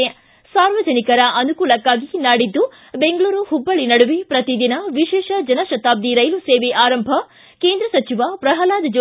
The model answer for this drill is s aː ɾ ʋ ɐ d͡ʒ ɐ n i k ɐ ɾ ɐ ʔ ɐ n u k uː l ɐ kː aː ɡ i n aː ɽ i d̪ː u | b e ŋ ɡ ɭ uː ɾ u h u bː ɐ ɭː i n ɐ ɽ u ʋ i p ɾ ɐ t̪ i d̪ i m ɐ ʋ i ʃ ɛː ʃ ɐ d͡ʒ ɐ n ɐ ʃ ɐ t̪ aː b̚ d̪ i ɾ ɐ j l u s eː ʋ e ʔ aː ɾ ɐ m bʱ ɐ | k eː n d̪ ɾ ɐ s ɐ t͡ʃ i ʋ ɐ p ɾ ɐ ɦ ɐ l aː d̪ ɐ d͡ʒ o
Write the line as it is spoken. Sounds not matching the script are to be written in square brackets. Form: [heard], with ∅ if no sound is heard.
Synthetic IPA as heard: s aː ɾ ʋ ɐ d͡ʒ ɐ n i k ɐ ɾ ɐ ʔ ɐ n u k uː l ɐ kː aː ɡ i n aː ɽ i d̪ː u | b e ŋ ɡ ɭ uː ɾ u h u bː ɐ [ɭ] i n ɐ ɽ u ʋ i p ɾ ɐ t̪ i d̪ i [n] ɐ ʋ i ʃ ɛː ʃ ɐ d͡ʒ ɐ n ɐ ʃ ɐ t̪ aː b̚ d̪ i ɾ ɐ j l u s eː ʋ e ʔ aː ɾ ɐ m bʱ ɐ | k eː n d̪ ɾ ɐ s ɐ t͡ʃ i ʋ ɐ p ɾ ɐ ɦ ɐ l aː d̪ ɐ d͡ʒ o

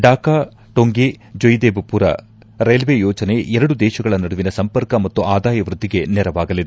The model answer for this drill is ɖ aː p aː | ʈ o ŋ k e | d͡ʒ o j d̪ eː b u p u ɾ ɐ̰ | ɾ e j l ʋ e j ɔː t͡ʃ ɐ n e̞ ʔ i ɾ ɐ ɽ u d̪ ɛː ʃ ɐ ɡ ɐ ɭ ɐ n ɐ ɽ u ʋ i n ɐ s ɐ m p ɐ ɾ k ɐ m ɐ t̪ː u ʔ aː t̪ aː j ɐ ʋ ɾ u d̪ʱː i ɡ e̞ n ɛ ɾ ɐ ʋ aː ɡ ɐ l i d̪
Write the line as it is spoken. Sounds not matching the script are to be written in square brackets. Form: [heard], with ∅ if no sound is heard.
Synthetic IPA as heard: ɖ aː [k] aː | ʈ o ŋ [ɡ] e | d͡ʒ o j d̪ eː b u p u ɾ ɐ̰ | ɾ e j l ʋ e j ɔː t͡ʃ ɐ n e̞ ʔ [ɛ] ɾ ɐ ɽ u d̪ ɛː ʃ ɐ ɡ ɐ ɭ ɐ n ɐ ɽ u ʋ i n ɐ s ɐ m p ɐ ɾ k ɐ m ɐ t̪ː u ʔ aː [d̪] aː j ɐ ʋ ɾ u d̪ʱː i ɡ e̞ n ɛ ɾ ɐ ʋ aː ɡ ɐ l i d̪

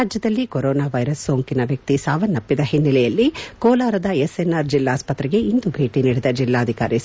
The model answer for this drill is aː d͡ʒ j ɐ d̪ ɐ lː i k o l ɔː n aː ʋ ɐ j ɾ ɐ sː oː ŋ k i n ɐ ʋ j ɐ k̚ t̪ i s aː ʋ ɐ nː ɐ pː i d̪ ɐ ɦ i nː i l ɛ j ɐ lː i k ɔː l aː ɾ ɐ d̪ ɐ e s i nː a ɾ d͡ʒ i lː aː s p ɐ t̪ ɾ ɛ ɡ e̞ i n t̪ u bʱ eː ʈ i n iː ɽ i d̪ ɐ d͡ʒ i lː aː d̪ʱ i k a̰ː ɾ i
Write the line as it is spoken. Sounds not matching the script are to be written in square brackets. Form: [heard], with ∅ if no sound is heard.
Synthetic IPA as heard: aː d͡ʒ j ɐ d̪ ɐ lː i k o [ɾ] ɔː n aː ʋ ɐ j ɾ ɐ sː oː ŋ k i n ɐ ʋ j ɐ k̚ t̪ i s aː ʋ ɐ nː ɐ pː i d̪ ɐ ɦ i nː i l ɛ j ɐ lː i k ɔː l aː ɾ ɐ d̪ ɐ e s [e] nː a ɾ d͡ʒ i lː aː s p ɐ t̪ ɾ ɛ ɡ e̞ i n [d̪] u bʱ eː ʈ i n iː ɽ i d̪ ɐ d͡ʒ i lː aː d̪ʱ i k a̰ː ɾ i

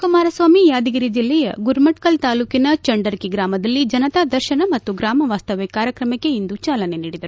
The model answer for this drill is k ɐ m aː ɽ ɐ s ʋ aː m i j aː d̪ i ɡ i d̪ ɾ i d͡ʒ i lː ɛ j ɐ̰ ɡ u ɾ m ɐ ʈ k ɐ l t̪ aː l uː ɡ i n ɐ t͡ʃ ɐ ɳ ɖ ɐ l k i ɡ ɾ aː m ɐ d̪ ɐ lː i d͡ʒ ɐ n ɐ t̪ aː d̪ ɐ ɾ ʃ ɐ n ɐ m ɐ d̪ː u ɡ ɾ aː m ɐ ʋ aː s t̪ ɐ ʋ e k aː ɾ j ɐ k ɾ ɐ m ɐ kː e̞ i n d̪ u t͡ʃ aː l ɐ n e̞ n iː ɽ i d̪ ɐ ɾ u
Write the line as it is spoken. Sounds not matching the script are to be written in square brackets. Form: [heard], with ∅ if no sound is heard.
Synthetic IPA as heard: k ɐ m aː [ɾ] ɐ s ʋ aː m i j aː d̪ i ɡ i [∅] ɾ i d͡ʒ i lː ɛ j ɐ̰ ɡ u ɾ m ɐ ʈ k ɐ l t̪ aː l uː [k] i n ɐ t͡ʃ ɐ ɳ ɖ ɐ [ɾ] k i ɡ ɾ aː m ɐ d̪ ɐ lː i d͡ʒ ɐ n ɐ t̪ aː d̪ ɐ ɾ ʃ ɐ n ɐ m ɐ [t̪ː] u ɡ ɾ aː m ɐ ʋ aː s t̪ ɐ ʋ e k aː ɾ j ɐ k ɾ ɐ m ɐ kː e̞ i n d̪ u t͡ʃ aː l ɐ n e̞ n iː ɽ i d̪ ɐ ɾ u

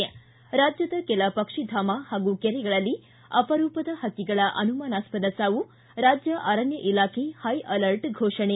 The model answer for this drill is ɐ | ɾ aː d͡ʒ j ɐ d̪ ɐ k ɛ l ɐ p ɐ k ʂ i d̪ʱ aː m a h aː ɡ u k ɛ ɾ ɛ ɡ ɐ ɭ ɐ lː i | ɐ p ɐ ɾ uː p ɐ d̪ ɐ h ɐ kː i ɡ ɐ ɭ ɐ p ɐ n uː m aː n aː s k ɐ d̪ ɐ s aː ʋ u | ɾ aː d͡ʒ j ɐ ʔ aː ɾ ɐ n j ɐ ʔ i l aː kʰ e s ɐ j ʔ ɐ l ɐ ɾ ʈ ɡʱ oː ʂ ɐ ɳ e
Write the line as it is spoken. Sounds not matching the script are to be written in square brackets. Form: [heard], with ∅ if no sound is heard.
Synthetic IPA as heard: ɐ | ɾ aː d͡ʒ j ɐ d̪ ɐ k ɛ l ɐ p ɐ k ʂ i d̪ʱ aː m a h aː ɡ u k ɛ ɾ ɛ ɡ ɐ ɭ ɐ lː i | ɐ p ɐ ɾ uː p ɐ d̪ ɐ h ɐ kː i ɡ ɐ ɭ ɐ [ʔ] ɐ n [u] m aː n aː s [p] ɐ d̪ ɐ s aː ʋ u | ɾ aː d͡ʒ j ɐ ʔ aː ɾ ɐ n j ɐ ʔ i l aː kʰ e [h] ɐ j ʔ ɐ l ɐ ɾ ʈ ɡʱ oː ʂ ɐ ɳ e

